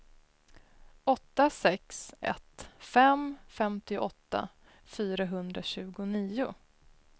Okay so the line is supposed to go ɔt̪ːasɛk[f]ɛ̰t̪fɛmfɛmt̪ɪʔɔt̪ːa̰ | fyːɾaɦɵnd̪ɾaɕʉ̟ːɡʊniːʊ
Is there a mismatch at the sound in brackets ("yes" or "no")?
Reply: yes